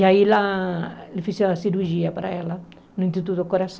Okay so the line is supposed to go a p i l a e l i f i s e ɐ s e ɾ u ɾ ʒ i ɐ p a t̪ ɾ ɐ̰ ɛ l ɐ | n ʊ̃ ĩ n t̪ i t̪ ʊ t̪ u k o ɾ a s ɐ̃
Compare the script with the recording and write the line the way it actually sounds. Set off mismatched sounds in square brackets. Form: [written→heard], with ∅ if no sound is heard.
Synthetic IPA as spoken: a [p→∅] i l a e l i f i s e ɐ s [e→i] ɾ u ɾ ʒ i ɐ p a [t̪→∅] ɾ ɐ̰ ɛ l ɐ | n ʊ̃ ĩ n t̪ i t̪ [ʊ→u] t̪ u k o ɾ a s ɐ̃